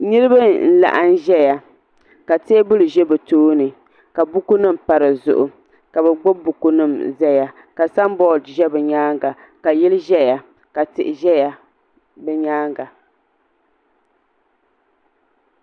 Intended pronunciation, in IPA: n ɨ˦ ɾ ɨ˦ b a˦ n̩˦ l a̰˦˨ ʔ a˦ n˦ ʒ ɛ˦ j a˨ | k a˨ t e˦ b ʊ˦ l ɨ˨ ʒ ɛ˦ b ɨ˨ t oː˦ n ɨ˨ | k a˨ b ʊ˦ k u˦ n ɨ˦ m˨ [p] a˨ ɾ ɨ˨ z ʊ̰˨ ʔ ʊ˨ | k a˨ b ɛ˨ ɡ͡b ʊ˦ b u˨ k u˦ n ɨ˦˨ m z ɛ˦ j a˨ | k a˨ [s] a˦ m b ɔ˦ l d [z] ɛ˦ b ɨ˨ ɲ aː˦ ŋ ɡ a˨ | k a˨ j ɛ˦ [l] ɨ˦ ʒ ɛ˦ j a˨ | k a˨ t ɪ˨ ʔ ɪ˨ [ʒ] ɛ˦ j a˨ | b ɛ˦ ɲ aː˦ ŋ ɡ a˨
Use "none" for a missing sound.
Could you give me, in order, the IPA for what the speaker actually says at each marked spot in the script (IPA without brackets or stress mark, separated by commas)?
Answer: p, s, ʒ, l, ʒ